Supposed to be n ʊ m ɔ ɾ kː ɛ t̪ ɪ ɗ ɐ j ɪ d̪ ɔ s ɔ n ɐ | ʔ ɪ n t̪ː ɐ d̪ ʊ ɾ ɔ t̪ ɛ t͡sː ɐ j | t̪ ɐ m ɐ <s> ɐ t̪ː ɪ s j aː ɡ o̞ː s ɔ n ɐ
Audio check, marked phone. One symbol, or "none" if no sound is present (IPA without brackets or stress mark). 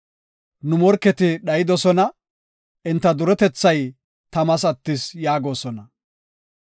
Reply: s